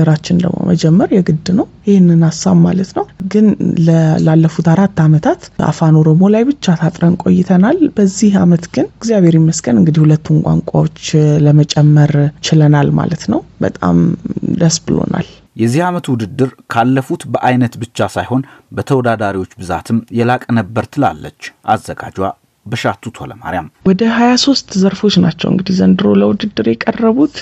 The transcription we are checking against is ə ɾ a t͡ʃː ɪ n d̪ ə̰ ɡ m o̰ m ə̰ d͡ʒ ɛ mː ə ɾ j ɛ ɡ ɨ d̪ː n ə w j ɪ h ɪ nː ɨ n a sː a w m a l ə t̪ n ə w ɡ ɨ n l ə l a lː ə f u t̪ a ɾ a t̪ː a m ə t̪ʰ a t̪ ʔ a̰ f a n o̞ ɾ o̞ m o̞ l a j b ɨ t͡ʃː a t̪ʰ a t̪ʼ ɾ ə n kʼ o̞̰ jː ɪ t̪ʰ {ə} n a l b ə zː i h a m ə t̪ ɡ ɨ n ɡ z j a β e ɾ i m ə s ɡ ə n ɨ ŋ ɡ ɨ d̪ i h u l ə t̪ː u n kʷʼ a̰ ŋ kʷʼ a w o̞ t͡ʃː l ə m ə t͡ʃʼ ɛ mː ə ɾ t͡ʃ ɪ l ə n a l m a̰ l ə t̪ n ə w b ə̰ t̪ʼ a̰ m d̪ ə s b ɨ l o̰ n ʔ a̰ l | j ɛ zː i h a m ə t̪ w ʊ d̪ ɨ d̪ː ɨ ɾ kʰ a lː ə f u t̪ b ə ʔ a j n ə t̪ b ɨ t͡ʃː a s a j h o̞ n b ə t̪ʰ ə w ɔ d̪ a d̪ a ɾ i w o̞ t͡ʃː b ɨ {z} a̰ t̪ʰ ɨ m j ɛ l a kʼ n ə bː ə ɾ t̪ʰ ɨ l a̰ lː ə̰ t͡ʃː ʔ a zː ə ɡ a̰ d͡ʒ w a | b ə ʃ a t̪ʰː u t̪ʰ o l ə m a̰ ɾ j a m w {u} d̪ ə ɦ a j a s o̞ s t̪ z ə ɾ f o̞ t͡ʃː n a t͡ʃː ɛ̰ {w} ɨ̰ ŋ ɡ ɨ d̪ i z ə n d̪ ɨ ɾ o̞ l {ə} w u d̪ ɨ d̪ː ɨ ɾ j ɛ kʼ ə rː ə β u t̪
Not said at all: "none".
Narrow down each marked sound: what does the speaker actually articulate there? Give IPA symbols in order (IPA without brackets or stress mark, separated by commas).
ə, z, ɔ, w, ə